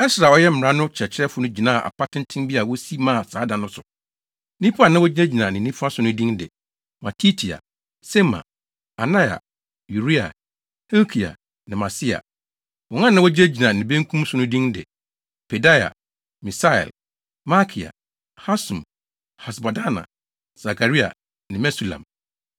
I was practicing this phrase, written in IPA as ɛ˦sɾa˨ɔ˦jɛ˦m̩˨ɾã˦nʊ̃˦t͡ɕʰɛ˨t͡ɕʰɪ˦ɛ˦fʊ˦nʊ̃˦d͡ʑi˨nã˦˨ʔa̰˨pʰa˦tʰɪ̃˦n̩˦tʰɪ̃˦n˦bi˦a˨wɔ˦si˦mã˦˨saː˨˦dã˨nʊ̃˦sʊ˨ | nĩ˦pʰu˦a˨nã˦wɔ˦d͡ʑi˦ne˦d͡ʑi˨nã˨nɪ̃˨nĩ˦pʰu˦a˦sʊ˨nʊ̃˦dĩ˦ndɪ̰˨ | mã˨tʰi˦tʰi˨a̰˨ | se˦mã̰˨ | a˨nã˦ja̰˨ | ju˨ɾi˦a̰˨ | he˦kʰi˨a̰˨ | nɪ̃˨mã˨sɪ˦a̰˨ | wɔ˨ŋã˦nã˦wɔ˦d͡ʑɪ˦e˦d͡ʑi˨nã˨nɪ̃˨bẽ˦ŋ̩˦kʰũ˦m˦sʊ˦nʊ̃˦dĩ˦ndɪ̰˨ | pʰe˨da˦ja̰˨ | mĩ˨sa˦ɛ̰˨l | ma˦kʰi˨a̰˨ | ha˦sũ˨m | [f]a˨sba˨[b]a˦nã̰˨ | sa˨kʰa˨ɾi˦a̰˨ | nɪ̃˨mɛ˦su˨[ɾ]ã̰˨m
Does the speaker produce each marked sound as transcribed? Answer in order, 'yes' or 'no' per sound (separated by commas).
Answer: no, no, no